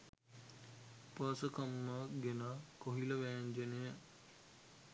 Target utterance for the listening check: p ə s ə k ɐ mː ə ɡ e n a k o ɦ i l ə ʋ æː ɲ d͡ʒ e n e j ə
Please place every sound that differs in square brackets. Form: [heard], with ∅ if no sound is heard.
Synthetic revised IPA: p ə s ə k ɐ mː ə ɡ e n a k o ɦ i l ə ʋ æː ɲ d͡ʒ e n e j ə